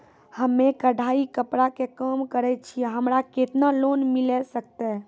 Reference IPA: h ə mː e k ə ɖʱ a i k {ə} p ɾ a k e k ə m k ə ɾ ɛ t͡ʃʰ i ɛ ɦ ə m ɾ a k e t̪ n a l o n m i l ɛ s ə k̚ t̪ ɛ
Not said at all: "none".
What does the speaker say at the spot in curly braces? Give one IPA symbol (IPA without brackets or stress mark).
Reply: ə